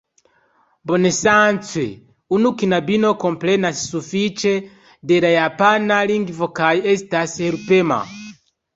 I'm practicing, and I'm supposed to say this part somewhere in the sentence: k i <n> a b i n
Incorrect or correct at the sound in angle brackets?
correct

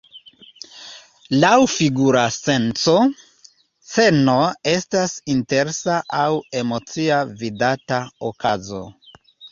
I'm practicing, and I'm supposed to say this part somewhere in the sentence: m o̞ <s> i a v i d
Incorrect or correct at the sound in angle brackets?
incorrect: t͡s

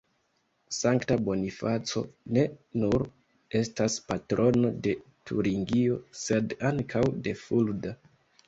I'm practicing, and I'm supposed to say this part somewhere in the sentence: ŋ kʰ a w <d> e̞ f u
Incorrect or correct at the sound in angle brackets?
correct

